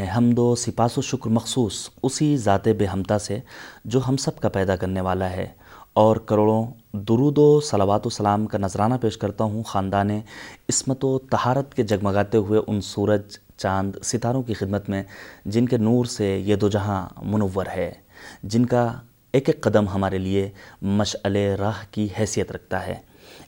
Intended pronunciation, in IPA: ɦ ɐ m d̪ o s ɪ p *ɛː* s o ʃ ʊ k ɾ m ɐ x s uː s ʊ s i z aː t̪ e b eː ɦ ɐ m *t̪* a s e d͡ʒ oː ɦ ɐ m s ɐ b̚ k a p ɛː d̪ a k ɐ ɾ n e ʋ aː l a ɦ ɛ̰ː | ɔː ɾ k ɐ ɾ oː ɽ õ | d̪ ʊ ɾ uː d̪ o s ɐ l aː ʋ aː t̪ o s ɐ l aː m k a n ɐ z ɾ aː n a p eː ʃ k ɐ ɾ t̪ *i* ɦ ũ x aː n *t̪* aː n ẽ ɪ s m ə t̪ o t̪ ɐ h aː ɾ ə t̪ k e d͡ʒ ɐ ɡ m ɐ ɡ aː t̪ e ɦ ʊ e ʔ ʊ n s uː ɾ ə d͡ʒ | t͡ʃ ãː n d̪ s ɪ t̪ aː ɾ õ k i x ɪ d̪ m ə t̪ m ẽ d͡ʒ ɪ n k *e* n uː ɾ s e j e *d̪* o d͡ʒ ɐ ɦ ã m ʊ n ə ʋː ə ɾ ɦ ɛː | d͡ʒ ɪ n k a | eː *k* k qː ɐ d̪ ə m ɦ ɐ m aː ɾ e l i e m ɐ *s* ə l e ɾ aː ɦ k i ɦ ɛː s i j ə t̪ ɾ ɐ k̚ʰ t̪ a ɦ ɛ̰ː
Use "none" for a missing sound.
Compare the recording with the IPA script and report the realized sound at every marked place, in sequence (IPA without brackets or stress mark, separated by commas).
aː, t̪, a, d̪, e, d̪, k, ʃ